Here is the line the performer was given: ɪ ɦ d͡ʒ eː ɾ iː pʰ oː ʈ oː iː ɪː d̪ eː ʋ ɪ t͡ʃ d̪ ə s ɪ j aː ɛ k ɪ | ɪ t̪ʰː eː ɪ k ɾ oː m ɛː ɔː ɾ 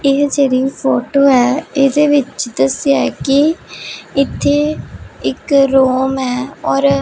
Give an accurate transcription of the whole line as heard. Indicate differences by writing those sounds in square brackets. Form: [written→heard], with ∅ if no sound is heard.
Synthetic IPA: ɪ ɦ d͡ʒ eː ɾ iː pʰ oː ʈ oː [iː→ɛː] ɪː d̪ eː ʋ ɪ t͡ʃ d̪ ə s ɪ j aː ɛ k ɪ | ɪ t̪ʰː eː ɪ k ɾ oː m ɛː ɔː ɾ